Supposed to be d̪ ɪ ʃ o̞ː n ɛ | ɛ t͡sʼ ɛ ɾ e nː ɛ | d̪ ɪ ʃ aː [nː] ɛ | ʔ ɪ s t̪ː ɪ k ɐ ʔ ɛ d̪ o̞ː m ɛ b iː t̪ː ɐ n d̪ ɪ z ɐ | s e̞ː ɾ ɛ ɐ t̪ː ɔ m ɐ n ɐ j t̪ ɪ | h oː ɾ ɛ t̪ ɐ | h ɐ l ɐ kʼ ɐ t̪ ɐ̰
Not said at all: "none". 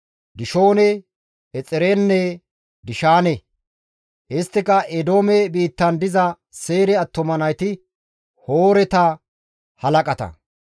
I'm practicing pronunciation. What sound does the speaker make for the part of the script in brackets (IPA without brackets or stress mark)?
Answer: n